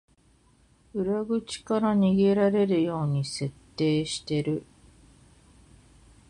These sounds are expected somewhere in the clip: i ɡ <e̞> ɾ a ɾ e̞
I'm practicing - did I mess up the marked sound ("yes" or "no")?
no